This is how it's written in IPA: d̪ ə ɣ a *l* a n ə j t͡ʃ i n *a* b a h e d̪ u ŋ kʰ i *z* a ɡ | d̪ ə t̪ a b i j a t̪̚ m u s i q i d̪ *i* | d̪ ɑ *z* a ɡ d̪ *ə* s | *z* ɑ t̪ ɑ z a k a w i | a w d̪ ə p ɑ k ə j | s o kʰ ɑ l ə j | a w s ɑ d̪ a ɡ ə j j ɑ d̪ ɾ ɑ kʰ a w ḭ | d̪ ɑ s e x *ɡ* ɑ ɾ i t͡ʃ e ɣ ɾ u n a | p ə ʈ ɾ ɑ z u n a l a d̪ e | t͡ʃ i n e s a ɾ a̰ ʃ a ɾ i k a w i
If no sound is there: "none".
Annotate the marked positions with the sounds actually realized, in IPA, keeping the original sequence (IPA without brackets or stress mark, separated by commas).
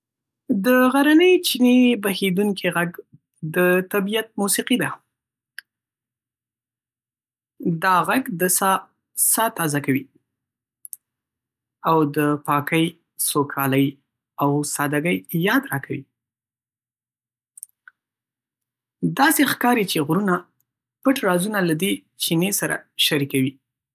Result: ɾ, e, ɣ, a, ɣ, ə, s, k